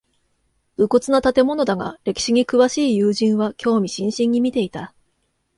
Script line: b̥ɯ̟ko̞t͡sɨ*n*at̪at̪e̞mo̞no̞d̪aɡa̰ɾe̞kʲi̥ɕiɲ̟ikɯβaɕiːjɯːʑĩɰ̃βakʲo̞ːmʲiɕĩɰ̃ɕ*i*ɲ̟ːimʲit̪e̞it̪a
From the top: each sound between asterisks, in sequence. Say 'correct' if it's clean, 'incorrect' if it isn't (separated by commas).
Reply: correct, incorrect